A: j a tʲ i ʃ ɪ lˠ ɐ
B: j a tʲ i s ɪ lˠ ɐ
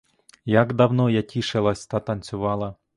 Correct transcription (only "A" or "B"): A